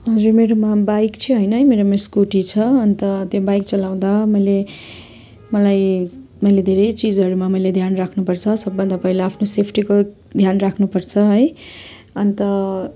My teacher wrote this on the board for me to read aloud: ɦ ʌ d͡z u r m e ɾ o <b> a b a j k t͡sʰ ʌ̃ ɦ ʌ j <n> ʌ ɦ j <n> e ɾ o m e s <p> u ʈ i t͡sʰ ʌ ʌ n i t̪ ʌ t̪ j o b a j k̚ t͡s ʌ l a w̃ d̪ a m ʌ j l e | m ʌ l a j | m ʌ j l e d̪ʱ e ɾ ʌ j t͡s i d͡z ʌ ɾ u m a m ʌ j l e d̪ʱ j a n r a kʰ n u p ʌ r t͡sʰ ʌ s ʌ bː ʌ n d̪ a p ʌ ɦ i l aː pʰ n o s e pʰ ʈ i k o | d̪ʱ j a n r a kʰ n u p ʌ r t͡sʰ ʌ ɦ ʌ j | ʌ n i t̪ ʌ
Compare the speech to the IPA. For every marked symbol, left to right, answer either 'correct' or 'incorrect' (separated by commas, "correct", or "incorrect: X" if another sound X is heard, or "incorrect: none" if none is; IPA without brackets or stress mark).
incorrect: m, correct, incorrect: m, incorrect: k